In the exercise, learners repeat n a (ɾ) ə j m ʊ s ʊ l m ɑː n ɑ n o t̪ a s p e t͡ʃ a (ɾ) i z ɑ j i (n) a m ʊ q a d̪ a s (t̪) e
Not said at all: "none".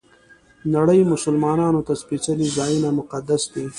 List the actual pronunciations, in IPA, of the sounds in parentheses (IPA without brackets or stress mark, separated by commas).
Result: ɽ, l, n, d̪